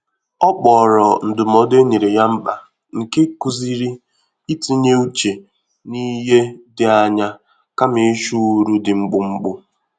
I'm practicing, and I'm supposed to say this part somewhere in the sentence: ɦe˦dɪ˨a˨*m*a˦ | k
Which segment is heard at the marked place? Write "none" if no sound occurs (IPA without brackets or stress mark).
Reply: ɲ